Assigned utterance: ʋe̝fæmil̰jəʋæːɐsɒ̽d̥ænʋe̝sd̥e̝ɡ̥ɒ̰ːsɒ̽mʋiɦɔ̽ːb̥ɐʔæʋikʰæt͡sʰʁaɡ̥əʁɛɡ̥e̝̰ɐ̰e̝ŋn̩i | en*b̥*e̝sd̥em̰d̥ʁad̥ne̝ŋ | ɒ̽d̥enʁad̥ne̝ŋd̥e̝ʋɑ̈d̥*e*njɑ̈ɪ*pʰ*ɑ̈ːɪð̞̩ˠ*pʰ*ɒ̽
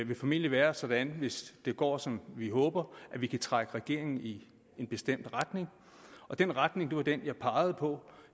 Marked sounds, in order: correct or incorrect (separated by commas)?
correct, correct, correct, correct